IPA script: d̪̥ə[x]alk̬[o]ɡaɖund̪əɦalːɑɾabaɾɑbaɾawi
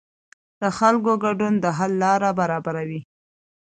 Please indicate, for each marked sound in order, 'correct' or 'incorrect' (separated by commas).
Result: correct, correct